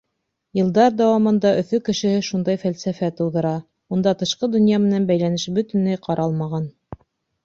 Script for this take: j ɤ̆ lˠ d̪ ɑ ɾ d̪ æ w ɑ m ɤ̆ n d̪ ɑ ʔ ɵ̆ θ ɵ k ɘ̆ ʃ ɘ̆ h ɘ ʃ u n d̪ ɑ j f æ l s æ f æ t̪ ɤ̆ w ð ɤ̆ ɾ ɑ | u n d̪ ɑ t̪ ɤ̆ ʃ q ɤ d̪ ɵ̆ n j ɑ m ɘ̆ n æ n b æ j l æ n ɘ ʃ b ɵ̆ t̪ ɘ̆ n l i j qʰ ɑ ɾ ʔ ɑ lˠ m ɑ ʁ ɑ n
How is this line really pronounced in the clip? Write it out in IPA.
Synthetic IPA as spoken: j ɤ̆ lˠ d̪ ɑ ɾ d̪ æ w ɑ m ɤ̆ n d̪ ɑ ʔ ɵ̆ θ ɵ k ɘ̆ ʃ ɘ̆ h ɘ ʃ u n d̪ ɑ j f æ l s æ f æ t̪ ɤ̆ w ð ɤ̆ ɾ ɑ | u n d̪ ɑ t̪ ɤ̆ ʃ q ɤ d̪ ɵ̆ n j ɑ m ɘ̆ n æ n b æ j l æ n ɘ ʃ b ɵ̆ t̪ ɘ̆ n l æ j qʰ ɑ ɾ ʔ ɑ lˠ m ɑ ʁ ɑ n